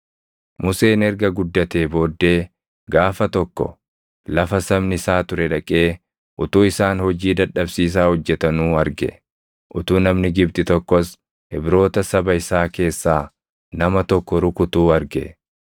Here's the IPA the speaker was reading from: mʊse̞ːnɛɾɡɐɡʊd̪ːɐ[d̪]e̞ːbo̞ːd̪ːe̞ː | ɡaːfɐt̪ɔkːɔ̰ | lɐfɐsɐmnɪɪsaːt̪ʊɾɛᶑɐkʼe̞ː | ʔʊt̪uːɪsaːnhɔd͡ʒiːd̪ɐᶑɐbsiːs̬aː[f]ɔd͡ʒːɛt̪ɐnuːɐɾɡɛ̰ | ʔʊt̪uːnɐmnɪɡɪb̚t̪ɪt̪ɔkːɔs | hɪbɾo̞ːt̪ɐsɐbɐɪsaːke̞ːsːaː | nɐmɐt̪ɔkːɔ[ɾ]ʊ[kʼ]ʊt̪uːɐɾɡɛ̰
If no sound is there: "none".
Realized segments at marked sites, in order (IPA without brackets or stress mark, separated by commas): t̪, h, ɾ, k